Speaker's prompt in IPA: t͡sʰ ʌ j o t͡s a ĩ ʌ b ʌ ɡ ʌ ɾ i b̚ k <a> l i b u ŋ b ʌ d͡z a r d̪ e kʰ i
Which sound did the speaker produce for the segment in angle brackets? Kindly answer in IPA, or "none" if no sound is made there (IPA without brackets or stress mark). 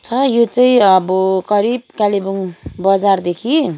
a